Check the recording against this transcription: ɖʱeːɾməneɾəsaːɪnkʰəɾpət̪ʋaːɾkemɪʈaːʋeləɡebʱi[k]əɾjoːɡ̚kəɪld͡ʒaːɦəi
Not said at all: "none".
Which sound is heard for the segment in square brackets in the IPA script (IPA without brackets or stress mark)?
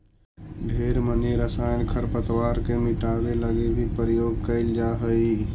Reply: p